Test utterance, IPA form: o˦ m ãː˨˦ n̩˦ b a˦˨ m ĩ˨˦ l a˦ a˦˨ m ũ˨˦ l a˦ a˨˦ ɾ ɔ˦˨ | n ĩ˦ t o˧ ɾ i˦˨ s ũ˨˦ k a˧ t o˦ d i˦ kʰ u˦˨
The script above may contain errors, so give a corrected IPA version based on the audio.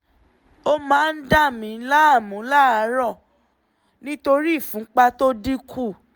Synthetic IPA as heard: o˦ m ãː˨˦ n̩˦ d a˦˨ m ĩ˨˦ l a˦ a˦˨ m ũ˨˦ l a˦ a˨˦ ɾ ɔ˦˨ | n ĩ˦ t o˧ ɾ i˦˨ f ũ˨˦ k͡p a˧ t o˦ d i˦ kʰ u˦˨